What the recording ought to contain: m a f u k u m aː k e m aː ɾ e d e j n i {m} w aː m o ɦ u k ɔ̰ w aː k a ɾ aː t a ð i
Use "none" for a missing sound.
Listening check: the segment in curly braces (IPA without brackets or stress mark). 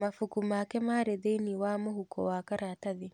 none